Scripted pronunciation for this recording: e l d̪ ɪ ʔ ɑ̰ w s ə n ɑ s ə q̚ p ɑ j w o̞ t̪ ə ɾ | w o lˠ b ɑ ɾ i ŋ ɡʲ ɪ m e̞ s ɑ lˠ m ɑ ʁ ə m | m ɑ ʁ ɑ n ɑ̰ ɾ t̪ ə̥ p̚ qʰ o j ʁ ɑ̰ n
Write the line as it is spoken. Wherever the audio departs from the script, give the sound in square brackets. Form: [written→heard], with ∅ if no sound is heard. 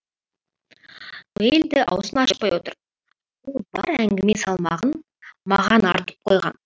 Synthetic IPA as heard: e l d̪ ɪ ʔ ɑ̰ w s ə n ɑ [s→ʃ] ə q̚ p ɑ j w o̞ t̪ ə ɾ | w o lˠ b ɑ ɾ [i→æ] ŋ ɡʲ ɪ m e̞ s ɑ lˠ m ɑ ʁ ə [m→n] | m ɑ ʁ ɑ n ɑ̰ ɾ t̪ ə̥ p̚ qʰ o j ʁ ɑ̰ n